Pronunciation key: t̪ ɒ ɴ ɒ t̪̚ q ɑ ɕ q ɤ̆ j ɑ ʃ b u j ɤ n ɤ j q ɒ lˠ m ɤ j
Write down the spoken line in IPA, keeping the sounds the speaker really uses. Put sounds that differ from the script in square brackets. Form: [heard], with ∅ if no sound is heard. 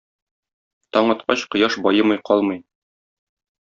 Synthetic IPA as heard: t̪ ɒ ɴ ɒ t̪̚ q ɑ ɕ q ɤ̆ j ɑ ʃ b [ɒ] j ɤ [m] ɤ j q ɒ lˠ m ɤ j